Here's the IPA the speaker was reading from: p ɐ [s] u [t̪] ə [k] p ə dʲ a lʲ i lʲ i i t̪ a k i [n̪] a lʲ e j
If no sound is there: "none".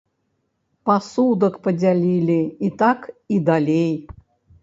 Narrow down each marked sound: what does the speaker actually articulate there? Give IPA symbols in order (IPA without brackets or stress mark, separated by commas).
s, d̪, k, d̪